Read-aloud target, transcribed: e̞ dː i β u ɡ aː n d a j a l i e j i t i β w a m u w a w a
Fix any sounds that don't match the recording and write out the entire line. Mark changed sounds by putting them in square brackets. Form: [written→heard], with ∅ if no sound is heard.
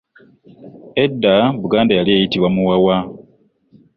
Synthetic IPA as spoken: e̞ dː [i→a] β u ɡ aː n d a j a l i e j i t i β w a m u w a w a